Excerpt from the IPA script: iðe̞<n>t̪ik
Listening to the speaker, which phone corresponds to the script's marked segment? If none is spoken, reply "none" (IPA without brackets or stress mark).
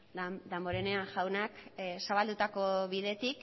none